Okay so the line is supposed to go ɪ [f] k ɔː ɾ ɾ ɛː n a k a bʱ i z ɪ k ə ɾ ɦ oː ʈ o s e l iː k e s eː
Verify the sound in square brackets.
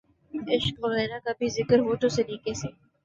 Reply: incorrect: ʃ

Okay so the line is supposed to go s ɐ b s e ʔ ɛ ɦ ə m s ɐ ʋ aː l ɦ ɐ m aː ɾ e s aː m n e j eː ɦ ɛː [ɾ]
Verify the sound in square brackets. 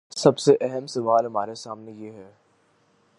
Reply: incorrect: none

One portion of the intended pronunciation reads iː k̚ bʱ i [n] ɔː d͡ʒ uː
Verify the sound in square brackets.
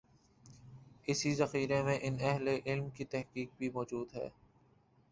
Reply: incorrect: m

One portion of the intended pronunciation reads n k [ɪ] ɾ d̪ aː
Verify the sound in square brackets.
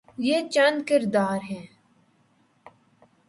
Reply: correct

